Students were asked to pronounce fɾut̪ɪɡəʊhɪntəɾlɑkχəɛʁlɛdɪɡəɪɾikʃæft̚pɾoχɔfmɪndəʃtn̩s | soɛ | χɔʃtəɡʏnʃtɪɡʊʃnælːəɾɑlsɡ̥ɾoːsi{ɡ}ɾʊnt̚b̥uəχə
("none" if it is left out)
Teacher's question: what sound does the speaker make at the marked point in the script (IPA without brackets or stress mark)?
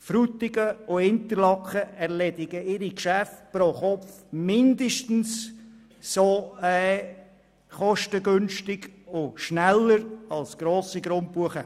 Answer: ɡ